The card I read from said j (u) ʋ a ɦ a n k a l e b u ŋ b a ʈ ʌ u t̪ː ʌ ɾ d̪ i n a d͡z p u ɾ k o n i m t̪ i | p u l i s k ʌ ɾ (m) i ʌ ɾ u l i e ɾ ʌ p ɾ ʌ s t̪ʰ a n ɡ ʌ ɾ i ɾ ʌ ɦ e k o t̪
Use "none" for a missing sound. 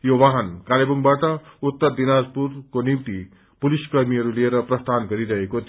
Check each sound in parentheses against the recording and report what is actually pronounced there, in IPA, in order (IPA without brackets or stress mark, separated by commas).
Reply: o, m